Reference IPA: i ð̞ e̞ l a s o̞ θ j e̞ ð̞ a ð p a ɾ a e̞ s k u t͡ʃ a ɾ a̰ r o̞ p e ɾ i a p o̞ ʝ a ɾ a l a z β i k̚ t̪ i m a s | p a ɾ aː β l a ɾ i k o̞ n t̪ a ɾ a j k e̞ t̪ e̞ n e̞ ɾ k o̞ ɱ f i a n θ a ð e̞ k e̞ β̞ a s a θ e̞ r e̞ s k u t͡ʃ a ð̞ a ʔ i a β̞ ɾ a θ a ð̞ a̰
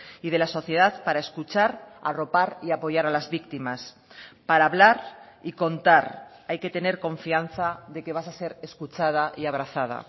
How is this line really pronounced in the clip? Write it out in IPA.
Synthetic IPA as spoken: i ð̞ e̞ l a s o̞ θ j e̞ ð̞ a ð p a ɾ a e̞ s k u t͡ʃ a ɾ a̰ r o̞ p a ɾ i a p o̞ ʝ a ɾ a l a z β i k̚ t̪ i m a s | p a ɾ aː β l a ɾ i k o̞ n t̪ a ɾ a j k e̞ t̪ e̞ n e̞ ɾ k o̞ ɱ f i a n θ a ð e̞ k e̞ β̞ a s a s e̞ ɾ e̞ s k u t͡ʃ a ð̞ a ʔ i a β̞ ɾ a θ a ð̞ a̰

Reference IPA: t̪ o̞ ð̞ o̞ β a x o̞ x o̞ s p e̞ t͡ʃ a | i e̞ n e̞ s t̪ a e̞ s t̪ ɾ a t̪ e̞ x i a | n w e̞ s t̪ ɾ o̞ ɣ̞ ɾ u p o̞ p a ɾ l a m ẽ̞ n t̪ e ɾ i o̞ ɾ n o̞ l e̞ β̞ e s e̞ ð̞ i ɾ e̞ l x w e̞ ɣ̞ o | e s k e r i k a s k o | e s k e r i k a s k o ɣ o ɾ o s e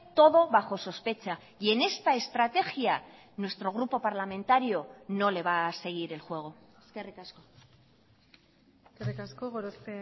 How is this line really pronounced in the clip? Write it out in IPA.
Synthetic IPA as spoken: t̪ o̞ ð̞ o̞ β a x o̞ s o̞ s p e̞ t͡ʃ a | i e̞ n e̞ s t̪ a e̞ s t̪ ɾ a t̪ e̞ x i a | n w e̞ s t̪ ɾ o̞ ɣ̞ ɾ u p o̞ p a ɾ l a m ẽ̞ n t̪ a ɾ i o̞ n o̞ l e̞ β̞ a s e̞ ɣ̞ i ɾ e̞ l x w e̞ ɣ̞ o | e s k e r i k a s k o | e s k e r i k a s k o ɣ o ɾ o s e

